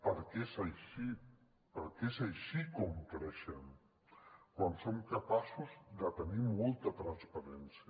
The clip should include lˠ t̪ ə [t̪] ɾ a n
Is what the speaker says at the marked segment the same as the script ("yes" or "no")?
yes